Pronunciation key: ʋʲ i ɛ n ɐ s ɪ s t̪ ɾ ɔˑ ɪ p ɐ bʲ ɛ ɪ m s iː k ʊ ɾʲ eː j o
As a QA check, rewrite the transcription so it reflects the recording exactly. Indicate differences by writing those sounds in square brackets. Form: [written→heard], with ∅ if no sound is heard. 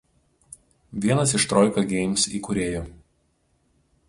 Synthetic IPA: ʋʲ i ɛ n ɐ s ɪ [s→ʃ] t̪ ɾ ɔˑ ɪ [p→k] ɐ [bʲ→ɡʲ] ɛ ɪ m s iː k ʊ ɾʲ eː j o